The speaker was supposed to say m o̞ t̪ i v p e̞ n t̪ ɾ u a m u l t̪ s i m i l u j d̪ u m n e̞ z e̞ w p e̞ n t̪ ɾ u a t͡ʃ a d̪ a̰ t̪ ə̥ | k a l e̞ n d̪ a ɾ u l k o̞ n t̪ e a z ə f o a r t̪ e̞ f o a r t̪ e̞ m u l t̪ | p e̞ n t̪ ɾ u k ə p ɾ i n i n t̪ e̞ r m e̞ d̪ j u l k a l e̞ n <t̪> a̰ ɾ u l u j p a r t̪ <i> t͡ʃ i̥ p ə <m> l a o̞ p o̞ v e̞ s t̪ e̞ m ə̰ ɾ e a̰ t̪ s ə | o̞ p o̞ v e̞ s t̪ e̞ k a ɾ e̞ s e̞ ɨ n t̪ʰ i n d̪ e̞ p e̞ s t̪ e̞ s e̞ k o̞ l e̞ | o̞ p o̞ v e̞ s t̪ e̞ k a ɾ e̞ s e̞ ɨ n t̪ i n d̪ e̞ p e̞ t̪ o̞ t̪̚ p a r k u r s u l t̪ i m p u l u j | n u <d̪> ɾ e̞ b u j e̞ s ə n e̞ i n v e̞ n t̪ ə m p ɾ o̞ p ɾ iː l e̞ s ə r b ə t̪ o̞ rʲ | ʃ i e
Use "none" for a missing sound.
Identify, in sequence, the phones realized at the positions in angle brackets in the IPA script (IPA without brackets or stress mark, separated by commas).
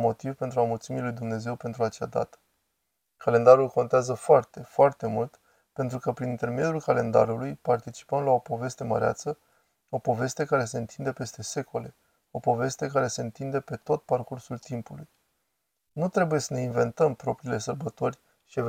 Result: d̪, i, m, t̪